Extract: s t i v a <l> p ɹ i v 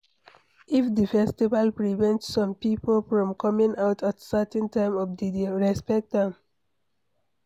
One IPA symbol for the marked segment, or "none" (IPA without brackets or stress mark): l